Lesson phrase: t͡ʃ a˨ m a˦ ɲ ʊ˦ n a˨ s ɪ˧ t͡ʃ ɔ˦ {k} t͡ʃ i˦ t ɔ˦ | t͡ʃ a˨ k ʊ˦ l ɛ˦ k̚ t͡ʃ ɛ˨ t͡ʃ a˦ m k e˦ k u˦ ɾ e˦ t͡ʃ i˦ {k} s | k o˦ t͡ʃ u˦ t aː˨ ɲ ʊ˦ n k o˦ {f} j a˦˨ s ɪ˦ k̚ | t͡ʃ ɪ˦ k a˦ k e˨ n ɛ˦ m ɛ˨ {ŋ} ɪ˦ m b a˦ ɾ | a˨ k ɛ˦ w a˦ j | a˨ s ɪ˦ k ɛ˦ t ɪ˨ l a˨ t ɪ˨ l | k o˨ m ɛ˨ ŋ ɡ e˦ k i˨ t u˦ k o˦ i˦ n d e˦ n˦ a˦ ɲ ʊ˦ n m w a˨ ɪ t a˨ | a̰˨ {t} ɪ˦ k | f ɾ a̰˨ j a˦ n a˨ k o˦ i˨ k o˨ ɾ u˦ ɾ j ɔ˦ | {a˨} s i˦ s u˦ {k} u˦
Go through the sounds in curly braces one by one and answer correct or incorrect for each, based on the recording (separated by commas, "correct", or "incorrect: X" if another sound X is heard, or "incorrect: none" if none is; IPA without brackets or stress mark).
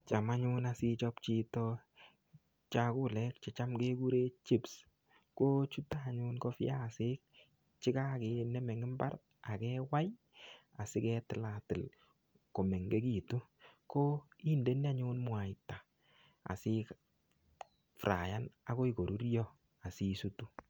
incorrect: p, incorrect: p, correct, correct, incorrect: s, correct, incorrect: t